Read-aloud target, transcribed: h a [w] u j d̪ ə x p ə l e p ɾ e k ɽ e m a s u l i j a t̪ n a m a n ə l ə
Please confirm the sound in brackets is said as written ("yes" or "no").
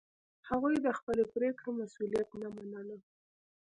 no